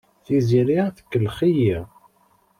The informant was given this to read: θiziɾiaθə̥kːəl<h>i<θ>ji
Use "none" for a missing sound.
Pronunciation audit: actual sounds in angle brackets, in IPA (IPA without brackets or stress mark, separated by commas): χ, none